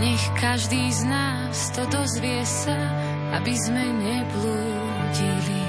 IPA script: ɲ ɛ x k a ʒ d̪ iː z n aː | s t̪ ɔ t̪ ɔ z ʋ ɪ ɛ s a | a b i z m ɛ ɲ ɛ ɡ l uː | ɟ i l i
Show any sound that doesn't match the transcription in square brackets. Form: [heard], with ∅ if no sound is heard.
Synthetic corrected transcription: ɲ ɛ x k a ʒ d̪ iː z n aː | s t̪ ɔ [d̪] ɔ z ʋ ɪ ɛ s a | a b i z m ɛ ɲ ɛ [b] l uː | ɟ i l i